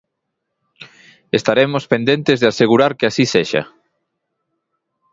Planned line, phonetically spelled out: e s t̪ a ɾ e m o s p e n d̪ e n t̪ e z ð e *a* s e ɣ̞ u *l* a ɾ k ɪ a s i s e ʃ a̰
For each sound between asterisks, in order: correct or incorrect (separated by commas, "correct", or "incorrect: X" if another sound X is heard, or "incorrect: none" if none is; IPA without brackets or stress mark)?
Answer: correct, incorrect: ɾ